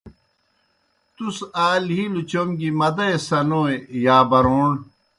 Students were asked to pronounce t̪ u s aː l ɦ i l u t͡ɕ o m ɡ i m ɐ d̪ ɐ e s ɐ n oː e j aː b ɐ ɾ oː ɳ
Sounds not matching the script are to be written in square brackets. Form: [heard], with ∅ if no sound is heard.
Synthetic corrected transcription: t̪ u s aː l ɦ i l u t͡ɕ o m ɡ i m ɐ d̪ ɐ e s ɐ n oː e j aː b ɐ ɾ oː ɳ